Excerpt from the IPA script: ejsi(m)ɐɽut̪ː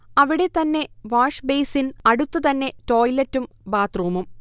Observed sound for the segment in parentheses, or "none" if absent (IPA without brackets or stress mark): n